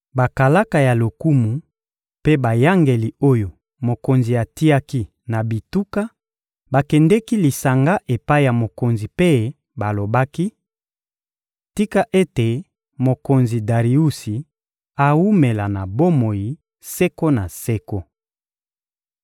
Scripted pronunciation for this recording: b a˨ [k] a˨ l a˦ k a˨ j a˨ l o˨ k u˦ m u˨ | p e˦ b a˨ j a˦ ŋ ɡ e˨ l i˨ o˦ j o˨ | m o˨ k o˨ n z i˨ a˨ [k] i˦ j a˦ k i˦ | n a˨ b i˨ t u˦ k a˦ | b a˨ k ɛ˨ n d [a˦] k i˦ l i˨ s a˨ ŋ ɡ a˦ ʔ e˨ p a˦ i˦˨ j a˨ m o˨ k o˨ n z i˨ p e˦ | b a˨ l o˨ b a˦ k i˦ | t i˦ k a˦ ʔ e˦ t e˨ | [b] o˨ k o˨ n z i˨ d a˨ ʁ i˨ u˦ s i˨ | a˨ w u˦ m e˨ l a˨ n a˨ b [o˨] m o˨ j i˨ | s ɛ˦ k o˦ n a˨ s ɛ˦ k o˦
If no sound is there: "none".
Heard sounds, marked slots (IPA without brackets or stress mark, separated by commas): k, t, ɛ˦, m, o˦